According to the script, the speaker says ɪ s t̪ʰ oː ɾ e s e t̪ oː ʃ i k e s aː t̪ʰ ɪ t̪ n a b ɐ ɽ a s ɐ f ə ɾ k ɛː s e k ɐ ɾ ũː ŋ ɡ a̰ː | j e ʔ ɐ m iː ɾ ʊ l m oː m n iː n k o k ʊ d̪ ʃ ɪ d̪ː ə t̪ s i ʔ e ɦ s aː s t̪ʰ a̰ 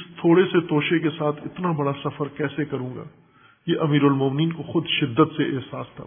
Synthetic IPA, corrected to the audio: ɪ s t̪ʰ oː ɽ e s e t̪ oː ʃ e k e s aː t̪ʰ ɪ t̪ n a b ɐ ɽ a s ɐ f ə ɾ k ɛː s e k ɐ ɾ ũː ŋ ɡ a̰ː | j e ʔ ɐ m iː ɾ ʊ l m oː m n iː n k o x ʊ d̪ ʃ ɪ d̪ː ə t̪ s e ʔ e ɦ s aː s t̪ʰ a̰